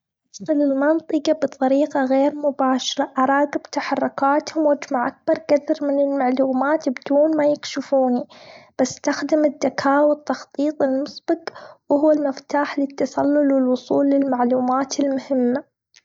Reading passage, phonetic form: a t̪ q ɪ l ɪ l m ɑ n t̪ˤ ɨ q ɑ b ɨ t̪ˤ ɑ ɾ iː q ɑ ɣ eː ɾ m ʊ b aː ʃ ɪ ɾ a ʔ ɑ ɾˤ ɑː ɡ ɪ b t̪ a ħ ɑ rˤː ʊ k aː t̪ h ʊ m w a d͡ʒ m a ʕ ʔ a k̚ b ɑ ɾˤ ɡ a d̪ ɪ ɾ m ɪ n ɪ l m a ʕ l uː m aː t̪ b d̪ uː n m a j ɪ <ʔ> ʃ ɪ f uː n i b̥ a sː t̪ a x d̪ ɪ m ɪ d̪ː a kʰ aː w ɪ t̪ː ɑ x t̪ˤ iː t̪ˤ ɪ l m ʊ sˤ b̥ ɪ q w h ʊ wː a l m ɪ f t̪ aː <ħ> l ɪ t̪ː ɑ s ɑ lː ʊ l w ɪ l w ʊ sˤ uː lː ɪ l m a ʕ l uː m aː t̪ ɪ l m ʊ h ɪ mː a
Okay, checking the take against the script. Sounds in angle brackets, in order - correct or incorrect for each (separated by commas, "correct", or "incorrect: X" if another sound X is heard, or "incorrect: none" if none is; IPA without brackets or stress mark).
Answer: incorrect: k, correct